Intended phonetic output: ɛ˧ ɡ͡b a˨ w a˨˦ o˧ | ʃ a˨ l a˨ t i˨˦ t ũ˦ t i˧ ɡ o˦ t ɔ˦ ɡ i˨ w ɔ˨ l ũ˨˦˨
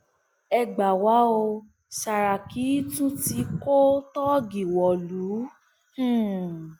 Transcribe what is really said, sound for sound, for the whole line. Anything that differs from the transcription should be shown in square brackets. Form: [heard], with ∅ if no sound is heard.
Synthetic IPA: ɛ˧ ɡ͡b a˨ w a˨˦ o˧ | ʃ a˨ [ɾ] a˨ [k] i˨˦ t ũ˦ t i˧ [k] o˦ t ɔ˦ ɡ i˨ w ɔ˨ l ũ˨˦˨